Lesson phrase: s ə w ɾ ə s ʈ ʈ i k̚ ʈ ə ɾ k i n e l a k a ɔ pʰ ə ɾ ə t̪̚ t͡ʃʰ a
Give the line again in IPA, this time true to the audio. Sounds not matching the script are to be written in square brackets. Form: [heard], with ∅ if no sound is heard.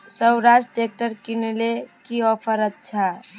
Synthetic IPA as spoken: s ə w ɾ [a] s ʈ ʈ [e] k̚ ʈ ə ɾ k i n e l [e] k [i] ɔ pʰ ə ɾ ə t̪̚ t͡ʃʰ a

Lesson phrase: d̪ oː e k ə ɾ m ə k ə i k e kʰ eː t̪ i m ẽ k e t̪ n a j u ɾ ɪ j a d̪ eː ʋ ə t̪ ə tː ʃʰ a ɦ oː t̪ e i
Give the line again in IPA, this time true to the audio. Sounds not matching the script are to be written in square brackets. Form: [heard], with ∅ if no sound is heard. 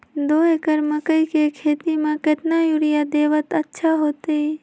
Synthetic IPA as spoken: d̪ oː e k ə ɾ m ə k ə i k e kʰ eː t̪ i m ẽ k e t̪ n a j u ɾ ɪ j a d̪ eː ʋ ə t̪ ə tː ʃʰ a ɦ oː t̪ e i

